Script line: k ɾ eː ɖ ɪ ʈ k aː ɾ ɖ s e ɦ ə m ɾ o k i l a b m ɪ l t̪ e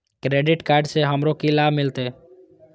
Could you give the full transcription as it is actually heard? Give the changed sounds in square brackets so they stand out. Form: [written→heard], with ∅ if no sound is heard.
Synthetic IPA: k ɾ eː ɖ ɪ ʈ k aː ɾ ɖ s e ɦ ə m ɾ o k i l a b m ɪ l t̪ e